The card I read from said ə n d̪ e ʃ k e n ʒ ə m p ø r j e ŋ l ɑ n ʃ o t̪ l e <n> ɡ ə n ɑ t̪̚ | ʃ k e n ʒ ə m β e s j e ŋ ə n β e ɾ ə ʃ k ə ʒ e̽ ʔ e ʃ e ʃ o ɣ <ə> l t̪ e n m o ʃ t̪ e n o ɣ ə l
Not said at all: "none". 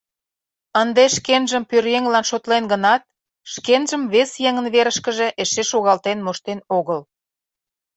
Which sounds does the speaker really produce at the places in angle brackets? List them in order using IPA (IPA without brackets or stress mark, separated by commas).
n, ɑ